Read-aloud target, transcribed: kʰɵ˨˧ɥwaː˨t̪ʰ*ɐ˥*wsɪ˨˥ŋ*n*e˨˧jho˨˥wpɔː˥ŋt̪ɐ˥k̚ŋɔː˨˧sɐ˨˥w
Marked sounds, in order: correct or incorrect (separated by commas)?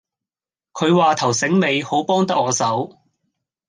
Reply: incorrect, incorrect